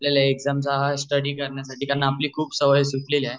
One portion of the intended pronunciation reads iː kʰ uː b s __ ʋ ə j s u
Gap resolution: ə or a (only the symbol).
ə